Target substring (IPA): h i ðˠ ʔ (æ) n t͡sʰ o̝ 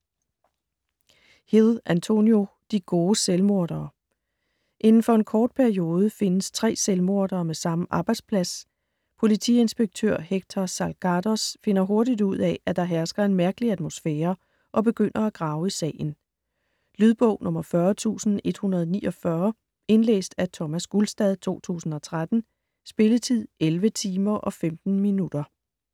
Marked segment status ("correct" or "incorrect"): correct